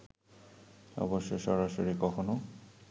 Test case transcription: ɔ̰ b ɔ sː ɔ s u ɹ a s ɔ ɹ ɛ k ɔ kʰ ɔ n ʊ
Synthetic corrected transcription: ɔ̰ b ɔ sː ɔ s ɔ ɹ a s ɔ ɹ i k ɔ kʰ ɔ n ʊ